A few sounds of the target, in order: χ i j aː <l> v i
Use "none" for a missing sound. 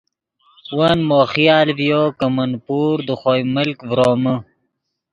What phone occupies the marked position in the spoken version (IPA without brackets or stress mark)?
l